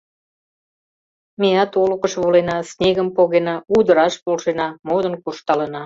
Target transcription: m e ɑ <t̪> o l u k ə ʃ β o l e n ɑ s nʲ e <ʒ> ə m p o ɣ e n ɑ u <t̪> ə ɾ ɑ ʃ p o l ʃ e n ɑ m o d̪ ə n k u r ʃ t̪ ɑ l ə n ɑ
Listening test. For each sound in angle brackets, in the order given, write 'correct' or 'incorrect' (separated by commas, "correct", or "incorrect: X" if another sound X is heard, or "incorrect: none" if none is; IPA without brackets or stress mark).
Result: correct, incorrect: ɣ, incorrect: d̪